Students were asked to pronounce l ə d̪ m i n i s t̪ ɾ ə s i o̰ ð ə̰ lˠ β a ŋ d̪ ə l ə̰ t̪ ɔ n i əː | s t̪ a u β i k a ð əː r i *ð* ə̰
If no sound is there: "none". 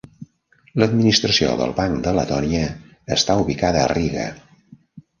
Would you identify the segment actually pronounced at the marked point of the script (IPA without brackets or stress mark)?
ɣ